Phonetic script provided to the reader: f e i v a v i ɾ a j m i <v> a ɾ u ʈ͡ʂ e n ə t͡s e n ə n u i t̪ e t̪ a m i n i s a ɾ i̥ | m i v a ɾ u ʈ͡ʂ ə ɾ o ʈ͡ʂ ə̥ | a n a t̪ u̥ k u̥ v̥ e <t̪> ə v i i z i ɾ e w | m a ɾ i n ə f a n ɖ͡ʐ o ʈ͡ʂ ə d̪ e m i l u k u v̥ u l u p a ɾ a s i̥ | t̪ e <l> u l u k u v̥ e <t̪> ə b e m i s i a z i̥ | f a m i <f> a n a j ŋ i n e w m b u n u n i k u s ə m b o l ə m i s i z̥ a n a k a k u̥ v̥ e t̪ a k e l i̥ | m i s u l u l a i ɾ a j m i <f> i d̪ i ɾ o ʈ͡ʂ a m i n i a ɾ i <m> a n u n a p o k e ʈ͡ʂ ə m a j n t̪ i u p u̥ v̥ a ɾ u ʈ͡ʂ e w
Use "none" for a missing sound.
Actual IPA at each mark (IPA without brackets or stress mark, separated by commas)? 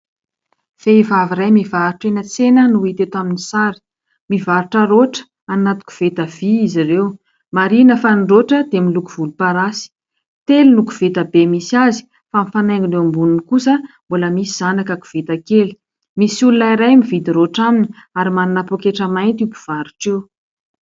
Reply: v, t̪, l, t̪, f, v, m